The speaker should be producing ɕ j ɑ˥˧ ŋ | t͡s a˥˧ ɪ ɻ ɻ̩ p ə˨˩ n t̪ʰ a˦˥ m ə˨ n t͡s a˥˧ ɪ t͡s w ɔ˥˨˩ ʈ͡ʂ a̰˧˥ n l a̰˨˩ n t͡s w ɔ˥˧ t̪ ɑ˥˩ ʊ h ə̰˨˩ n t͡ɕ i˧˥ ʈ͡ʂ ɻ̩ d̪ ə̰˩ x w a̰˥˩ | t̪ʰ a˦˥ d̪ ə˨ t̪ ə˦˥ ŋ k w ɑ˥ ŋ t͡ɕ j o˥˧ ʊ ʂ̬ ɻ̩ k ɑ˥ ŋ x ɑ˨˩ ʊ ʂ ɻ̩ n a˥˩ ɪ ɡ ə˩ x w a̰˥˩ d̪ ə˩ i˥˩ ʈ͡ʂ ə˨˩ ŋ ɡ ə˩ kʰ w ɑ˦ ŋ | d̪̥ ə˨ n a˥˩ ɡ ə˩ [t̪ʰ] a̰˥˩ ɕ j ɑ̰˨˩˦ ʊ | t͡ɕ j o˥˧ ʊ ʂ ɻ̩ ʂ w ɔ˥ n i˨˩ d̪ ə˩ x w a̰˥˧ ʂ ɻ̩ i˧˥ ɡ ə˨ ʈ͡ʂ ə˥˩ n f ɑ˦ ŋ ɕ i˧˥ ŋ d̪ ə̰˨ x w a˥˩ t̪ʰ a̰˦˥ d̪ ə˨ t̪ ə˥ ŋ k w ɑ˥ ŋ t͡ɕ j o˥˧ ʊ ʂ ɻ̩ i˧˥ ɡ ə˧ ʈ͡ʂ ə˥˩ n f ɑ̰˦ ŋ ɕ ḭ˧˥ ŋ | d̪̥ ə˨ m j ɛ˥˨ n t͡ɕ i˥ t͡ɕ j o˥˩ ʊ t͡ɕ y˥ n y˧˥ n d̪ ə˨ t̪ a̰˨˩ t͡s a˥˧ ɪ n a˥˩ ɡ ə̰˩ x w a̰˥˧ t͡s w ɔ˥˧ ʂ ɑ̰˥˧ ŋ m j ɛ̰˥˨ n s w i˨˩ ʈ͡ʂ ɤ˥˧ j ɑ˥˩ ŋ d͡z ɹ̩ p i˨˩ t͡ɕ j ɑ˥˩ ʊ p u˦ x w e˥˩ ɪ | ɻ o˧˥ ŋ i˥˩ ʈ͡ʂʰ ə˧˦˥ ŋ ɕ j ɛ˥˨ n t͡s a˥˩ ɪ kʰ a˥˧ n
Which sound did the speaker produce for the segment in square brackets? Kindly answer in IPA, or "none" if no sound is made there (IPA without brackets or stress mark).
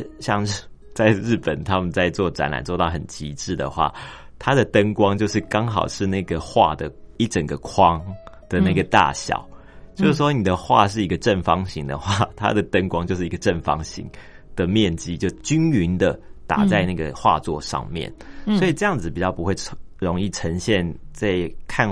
t̪